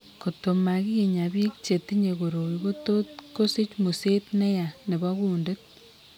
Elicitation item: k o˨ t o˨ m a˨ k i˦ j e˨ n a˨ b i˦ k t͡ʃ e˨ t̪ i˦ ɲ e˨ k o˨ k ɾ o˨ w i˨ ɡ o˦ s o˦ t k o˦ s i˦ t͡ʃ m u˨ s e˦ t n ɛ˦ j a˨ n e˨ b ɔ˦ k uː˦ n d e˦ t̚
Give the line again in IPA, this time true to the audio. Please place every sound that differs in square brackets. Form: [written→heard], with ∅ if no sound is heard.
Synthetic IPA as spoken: k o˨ t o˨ m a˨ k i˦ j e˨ [n→ɲ] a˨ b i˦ k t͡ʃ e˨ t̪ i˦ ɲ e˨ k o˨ [k→∅] ɾ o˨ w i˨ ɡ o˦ [s→t] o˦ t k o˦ s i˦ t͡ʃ m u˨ s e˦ t n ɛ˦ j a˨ n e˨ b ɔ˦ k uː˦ n d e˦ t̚